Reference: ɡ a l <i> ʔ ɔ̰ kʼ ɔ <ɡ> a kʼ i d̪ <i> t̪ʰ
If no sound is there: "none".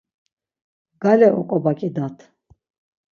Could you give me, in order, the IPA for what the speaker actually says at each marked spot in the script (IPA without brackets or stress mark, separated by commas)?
ɛ, b, a